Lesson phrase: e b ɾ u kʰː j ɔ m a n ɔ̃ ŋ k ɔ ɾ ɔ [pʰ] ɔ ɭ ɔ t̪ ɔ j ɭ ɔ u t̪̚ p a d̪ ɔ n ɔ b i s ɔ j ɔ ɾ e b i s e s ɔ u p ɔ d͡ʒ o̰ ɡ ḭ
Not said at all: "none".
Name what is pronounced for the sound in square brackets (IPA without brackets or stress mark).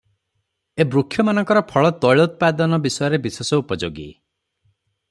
pʰ